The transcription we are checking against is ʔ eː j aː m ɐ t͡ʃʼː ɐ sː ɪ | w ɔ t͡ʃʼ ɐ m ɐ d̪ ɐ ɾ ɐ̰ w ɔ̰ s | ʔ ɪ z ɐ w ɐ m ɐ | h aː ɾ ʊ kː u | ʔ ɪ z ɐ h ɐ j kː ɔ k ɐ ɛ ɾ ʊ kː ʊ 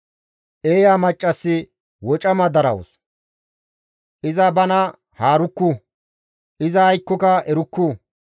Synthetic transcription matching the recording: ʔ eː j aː m ɐ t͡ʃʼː ɐ sː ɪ | w ɔ t͡ʃʼ ɐ m ɐ d̪ ɐ ɾ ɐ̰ w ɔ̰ s | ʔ ɪ z ɐ b ɐ n ɐ | h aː ɾ ʊ kː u | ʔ ɪ z ɐ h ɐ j kː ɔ k ɐ ɛ ɾ ʊ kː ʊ